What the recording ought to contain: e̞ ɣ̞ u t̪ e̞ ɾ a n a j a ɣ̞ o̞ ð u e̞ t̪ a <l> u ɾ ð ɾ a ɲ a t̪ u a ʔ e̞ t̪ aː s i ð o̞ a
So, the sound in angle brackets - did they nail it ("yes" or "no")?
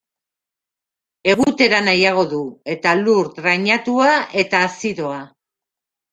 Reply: yes